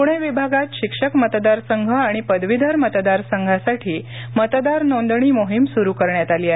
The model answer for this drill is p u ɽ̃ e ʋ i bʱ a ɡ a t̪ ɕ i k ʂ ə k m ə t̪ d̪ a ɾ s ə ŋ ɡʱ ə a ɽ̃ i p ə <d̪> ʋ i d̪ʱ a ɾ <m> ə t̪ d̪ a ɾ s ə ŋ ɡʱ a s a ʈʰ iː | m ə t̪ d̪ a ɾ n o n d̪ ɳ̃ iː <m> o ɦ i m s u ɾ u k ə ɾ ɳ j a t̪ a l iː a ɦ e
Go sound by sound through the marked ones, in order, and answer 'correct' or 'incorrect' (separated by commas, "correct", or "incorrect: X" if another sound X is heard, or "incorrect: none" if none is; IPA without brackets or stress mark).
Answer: correct, correct, correct